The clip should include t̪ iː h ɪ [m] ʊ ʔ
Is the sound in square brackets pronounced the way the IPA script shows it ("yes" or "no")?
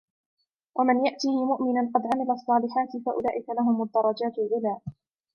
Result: yes